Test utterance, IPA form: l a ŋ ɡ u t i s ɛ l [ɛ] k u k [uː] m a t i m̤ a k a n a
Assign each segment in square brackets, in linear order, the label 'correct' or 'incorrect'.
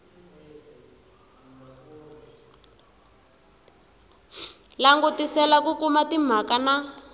incorrect: a, incorrect: u

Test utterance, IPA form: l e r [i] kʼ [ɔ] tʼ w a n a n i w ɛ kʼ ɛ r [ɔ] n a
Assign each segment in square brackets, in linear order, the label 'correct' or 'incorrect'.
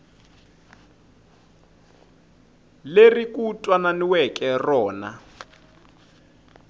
correct, incorrect: u, incorrect: ɔː

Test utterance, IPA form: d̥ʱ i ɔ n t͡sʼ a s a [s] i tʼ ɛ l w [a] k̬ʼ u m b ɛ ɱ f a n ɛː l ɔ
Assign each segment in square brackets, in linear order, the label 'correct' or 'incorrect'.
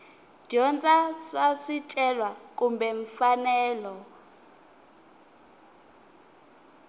correct, correct

